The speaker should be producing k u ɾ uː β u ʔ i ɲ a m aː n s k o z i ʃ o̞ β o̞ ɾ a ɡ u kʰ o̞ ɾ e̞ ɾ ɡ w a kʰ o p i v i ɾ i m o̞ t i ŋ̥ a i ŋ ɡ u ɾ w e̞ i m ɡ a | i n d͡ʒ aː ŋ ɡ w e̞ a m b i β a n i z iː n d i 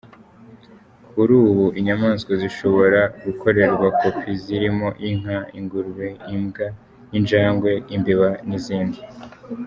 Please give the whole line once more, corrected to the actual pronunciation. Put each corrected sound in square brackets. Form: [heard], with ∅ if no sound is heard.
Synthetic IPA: k u ɾ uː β u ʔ i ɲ a m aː n s k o z i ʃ o̞ β o̞ ɾ a ɡ u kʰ o̞ ɾ e̞ ɾ ɡ w a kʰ o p i [z] i ɾ i m o̞ [ʔ] i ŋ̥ a i ŋ ɡ u ɾ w e̞ i m ɡ a | i n d͡ʒ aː ŋ ɡ w e̞ [i] m b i β a n i z iː n d i

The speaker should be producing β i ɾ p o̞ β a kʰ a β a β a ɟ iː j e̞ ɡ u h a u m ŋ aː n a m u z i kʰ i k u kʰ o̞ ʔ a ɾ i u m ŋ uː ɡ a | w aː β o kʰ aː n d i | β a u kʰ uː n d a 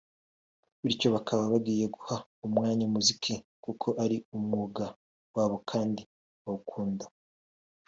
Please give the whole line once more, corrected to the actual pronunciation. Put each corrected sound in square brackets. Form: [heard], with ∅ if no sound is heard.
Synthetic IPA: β i ɾ [c] o̞ β a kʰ a β a β a [ɡ] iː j e̞ ɡ u h a u m ŋ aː [ɲ] a m u z i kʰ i k u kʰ o̞ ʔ a ɾ i u m ŋ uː ɡ a | w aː β o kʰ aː n d i | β a u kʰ uː n d a

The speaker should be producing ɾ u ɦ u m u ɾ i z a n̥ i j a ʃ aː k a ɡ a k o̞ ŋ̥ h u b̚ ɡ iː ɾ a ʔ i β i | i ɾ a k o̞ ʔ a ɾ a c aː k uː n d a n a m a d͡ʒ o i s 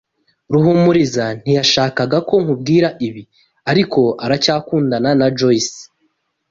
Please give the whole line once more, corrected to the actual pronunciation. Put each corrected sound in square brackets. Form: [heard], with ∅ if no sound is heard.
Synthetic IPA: ɾ u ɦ u m u ɾ i z a n̥ i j a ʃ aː k a ɡ a k o̞ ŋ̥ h u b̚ ɡ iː ɾ a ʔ i β i | [a] ɾ [i] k o̞ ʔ a ɾ a c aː k uː n d a n a [n] a d͡ʒ o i s

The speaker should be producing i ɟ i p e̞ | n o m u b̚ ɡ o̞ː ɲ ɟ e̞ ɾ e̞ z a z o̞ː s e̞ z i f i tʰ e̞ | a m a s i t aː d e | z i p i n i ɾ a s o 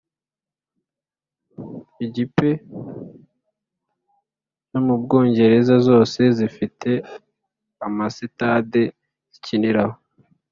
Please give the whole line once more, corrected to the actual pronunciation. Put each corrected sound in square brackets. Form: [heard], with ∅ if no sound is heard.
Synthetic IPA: i ɟ i p e̞ | n o m u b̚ ɡ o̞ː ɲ ɟ e̞ ɾ e̞ z a z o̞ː s e̞ z i f i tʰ e̞ | a m a s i t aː d e | z i [c] i n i ɾ a [h] o

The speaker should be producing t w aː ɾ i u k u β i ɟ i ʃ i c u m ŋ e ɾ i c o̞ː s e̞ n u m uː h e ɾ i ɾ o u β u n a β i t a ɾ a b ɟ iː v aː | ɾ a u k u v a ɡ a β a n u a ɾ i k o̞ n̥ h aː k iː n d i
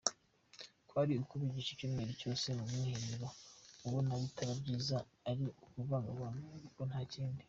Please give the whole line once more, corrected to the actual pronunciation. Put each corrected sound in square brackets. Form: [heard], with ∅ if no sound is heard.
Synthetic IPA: [k] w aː ɾ i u k u β i ɟ i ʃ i c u m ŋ e ɾ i c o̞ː s e̞ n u m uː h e ɾ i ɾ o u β [o] n a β i t a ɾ a b ɟ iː [z] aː | ɾ [i] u k u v a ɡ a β a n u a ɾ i k o̞ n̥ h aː [c] iː n d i

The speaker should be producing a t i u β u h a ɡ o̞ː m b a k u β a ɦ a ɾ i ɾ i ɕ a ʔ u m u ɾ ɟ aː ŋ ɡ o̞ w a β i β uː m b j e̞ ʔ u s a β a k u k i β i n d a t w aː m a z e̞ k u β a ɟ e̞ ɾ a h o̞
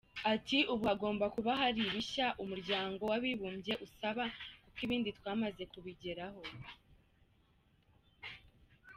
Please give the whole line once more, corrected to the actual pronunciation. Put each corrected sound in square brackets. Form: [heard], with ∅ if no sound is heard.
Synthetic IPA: a t i u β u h a ɡ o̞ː m b a k u β a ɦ a ɾ i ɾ i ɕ a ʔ u m u ɾ ɟ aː ŋ ɡ o̞ w a β i β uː m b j e̞ ʔ u s a β a k u k i β [iː] n d [i] t w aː m a z e̞ k u β [i] ɟ e̞ ɾ a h o̞

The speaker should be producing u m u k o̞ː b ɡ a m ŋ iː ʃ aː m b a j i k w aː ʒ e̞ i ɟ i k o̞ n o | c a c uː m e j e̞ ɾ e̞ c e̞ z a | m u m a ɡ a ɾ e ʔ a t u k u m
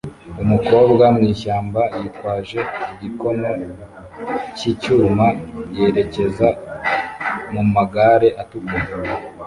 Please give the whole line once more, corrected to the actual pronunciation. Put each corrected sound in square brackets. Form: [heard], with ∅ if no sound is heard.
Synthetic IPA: u m u k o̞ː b ɡ a m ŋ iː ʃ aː m b a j i [t] w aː ʒ e̞ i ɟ i k o̞ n o | c [i] c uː m [a] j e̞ ɾ e̞ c e̞ z a | m u m a ɡ a ɾ e ʔ a t u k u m

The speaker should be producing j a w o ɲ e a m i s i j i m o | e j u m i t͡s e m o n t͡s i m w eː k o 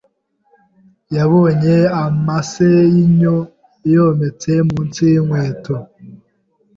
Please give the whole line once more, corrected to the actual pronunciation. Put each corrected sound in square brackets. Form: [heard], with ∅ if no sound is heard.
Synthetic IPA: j a [β] o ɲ e a m [a] s [e] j i [ɲ] o | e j [o] m [e] t͡s e m [u] n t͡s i [ŋ] w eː [t] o

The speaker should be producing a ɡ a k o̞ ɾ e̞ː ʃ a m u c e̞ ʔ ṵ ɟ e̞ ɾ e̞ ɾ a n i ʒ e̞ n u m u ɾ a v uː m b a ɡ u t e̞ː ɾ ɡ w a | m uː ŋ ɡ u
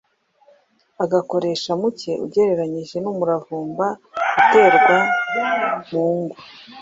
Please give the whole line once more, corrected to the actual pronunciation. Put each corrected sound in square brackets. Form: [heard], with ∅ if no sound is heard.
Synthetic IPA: a ɡ a k o̞ ɾ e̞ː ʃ a m u c e̞ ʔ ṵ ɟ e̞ ɾ e̞ ɾ a [ɲ] i ʒ e̞ n u m u ɾ a v uː m b a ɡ u t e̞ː ɾ ɡ w a | m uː ŋ ɡ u

